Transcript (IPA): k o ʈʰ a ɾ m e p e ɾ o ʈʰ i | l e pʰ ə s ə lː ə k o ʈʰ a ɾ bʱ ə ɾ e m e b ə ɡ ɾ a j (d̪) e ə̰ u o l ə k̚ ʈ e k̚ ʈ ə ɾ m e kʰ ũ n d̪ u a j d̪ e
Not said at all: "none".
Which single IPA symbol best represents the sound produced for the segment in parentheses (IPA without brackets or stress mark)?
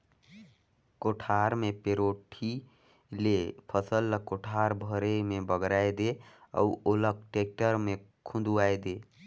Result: d̪